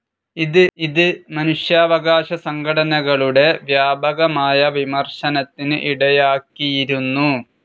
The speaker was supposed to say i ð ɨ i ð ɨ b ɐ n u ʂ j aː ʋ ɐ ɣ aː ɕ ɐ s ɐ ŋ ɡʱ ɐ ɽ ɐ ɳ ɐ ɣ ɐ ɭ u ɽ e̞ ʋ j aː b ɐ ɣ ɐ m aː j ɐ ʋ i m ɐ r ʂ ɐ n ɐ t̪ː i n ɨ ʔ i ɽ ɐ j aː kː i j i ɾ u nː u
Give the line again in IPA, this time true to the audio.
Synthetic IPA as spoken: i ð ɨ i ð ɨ m ɐ n u ʂ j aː ʋ ɐ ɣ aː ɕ ɐ s ɐ ŋ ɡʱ ɐ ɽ ɐ n ɐ ɣ ɐ ɭ u ɽ e̞ ʋ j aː b ɐ ɣ ɐ m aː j ɐ ʋ i m ɐ r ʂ ɐ n ɐ t̪ː i n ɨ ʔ i ɽ ɐ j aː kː i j i ɾ u nː u